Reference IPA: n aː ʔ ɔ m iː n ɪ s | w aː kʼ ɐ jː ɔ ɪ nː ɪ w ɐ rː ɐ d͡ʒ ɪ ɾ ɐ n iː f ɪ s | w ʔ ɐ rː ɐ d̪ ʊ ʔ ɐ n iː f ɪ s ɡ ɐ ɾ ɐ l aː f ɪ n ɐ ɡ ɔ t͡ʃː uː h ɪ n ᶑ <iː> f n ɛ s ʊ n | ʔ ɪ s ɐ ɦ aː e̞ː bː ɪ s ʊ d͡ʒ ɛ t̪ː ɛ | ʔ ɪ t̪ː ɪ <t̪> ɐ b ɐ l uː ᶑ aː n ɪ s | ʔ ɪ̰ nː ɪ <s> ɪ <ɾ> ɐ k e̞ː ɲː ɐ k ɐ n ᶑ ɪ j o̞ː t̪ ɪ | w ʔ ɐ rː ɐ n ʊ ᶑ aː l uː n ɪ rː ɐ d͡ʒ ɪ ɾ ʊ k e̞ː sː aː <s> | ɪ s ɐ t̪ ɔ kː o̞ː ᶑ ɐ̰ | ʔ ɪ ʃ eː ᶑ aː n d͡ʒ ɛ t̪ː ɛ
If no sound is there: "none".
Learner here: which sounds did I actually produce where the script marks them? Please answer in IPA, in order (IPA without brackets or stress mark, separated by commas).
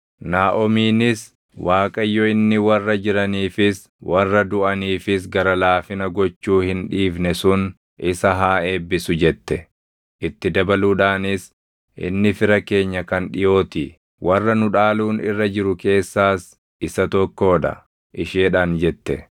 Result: iː, d̪, f, ɾ, s